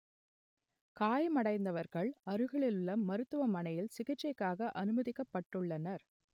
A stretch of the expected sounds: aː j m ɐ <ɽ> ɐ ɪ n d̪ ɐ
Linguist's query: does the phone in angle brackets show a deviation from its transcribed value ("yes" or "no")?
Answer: no